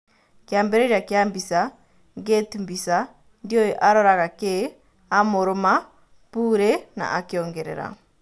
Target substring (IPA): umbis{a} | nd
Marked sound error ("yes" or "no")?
no